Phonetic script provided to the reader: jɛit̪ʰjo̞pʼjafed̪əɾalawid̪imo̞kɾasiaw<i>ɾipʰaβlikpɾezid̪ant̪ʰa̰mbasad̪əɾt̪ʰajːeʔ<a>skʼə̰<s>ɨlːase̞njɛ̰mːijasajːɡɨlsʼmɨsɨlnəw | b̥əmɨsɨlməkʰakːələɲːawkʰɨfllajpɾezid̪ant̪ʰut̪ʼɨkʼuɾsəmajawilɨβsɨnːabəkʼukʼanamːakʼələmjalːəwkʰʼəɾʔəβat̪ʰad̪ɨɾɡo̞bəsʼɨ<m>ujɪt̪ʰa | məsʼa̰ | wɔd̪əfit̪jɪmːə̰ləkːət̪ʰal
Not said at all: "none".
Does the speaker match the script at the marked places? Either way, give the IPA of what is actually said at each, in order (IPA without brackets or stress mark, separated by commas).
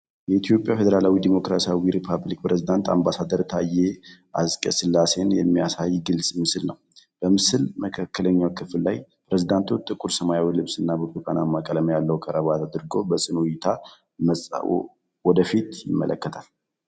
i, a, s, n